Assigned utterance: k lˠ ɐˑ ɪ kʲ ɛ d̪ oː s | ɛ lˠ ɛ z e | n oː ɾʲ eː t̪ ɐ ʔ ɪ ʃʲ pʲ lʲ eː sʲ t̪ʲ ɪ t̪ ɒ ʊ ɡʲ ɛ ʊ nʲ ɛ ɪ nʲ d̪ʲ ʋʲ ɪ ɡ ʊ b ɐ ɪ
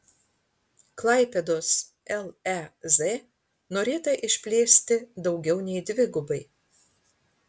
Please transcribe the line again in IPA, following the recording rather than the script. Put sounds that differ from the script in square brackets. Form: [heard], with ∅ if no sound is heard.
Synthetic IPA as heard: k lˠ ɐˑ ɪ [pʲ] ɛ d̪ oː s | ɛ lˠ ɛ z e | n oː ɾʲ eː t̪ ɐ ʔ ɪ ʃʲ pʲ lʲ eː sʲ t̪ʲ ɪ [d̪] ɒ ʊ ɡʲ ɛ ʊ nʲ ɛ ɪ [∅] d̪ʲ ʋʲ ɪ ɡ ʊ b ɐ ɪ